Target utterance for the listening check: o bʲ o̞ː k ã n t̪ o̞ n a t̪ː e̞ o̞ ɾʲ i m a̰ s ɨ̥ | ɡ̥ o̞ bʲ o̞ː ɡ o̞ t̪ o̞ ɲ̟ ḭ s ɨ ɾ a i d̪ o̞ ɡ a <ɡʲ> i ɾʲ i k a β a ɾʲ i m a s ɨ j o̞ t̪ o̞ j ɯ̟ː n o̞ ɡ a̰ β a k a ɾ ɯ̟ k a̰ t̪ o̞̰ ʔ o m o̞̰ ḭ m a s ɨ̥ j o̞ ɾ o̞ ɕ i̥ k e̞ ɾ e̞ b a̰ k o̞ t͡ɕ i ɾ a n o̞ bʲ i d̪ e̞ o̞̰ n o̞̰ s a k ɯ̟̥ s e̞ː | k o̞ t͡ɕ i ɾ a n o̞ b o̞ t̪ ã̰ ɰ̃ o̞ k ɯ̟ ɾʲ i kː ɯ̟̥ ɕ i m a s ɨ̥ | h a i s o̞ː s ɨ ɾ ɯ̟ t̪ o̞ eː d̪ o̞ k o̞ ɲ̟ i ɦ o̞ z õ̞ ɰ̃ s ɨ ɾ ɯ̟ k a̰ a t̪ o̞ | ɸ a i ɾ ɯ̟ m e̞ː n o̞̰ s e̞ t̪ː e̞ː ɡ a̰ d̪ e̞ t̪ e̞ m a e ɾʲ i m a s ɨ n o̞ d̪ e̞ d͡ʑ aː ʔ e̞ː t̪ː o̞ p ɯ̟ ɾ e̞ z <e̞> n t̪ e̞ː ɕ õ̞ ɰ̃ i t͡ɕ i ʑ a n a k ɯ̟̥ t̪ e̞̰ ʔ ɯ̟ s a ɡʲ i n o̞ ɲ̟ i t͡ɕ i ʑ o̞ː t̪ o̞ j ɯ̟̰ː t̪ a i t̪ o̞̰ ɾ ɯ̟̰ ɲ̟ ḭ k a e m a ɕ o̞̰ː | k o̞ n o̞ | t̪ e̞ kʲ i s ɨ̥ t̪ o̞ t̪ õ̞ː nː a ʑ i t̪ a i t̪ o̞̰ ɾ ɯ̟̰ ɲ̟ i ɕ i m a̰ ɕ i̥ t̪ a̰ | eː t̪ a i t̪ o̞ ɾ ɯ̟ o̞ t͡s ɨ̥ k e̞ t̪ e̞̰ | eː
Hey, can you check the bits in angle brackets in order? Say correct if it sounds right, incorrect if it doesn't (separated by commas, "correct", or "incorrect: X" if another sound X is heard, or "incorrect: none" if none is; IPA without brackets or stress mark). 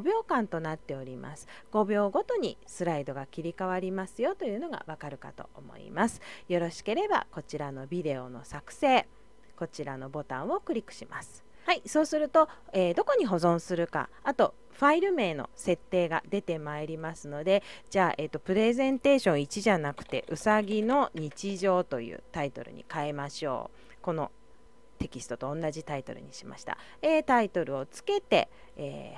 incorrect: kʲ, incorrect: ẽ̞